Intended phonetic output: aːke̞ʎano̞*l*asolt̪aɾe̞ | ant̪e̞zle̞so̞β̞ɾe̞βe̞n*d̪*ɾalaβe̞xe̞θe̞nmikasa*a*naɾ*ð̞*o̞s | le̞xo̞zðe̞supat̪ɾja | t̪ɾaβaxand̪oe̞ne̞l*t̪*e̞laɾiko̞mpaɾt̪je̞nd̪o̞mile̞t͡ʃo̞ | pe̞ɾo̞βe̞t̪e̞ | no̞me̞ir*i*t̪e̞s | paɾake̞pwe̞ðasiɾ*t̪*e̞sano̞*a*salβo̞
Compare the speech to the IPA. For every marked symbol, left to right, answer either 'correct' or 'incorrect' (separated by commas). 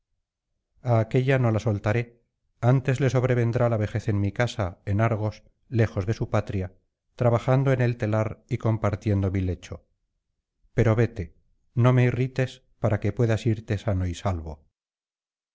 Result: correct, correct, incorrect, incorrect, correct, correct, correct, incorrect